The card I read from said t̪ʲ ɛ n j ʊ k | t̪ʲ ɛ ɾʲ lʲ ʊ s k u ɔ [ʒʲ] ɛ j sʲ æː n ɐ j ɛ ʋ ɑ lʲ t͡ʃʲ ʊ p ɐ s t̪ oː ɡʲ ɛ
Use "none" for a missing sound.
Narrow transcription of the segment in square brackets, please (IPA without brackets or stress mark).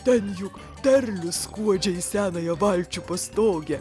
d͡ʒʲ